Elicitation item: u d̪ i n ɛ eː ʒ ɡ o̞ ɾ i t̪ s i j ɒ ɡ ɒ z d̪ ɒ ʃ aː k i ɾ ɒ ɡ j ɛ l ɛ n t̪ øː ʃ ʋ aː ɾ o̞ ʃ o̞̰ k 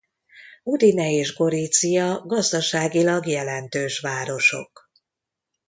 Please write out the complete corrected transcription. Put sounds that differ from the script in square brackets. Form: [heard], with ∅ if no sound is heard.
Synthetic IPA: u d̪ i n ɛ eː ʒ ɡ o̞ ɾ i t̪ s i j ɒ ɡ ɒ z d̪ ɒ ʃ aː [ɡ] i [l] ɒ ɡ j ɛ l ɛ n t̪ øː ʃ ʋ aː ɾ o̞ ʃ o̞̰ k